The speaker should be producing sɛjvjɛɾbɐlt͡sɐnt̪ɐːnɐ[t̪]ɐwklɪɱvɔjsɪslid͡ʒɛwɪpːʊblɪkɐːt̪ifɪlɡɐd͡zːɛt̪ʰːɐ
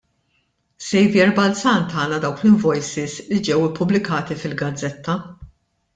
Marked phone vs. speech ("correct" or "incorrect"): incorrect